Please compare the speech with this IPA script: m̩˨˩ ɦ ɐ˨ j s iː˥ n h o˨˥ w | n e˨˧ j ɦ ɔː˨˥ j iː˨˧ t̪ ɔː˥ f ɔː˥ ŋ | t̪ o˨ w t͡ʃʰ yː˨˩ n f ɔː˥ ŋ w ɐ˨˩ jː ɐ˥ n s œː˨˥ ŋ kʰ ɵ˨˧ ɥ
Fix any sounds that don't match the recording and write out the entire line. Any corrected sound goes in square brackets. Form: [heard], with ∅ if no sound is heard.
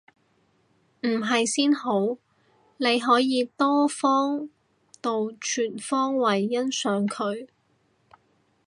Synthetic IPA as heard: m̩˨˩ ɦ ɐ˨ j s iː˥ n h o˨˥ w | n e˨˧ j ɦ ɔː˨˥ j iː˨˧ t̪ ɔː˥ f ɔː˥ ŋ | t̪ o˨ w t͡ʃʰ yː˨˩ n f ɔː˥ ŋ w ɐ˨˩ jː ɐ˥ n s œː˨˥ ŋ kʰ ɵ˨˧ ɥ